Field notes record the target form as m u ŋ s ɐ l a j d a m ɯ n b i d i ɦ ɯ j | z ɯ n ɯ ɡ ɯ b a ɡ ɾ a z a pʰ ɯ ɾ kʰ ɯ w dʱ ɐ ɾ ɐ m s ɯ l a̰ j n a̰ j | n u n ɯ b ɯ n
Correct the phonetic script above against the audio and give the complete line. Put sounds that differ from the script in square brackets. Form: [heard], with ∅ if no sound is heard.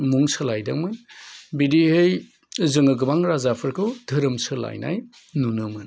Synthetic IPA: m u ŋ s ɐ l a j d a m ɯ n b i d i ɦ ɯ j | z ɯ [ŋ] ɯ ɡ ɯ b a [ŋ] ɾ a z a pʰ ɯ ɾ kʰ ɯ w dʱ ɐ ɾ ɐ m s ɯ l a̰ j n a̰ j | n u n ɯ [m] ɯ n